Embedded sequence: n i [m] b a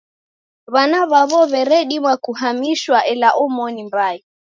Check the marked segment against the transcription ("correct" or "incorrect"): correct